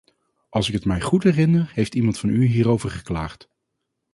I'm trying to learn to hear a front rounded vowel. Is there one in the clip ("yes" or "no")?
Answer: yes